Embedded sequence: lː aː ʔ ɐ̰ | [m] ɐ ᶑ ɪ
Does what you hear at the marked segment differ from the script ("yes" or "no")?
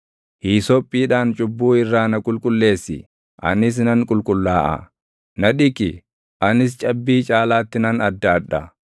yes